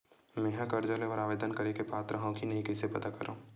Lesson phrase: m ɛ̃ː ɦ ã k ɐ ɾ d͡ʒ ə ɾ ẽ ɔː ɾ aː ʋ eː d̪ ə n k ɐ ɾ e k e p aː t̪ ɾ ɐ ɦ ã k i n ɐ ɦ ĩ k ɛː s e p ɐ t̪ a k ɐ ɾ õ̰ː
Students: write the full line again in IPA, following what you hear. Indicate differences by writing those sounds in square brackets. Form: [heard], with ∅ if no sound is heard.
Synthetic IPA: m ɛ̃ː ɦ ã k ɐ ɾ d͡ʒ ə [l] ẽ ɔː ɾ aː ʋ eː d̪ ə n k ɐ ɾ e k e p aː t̪ ɾ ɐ ɦ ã k i n ɐ ɦ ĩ k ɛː s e p ɐ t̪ a k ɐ ɾ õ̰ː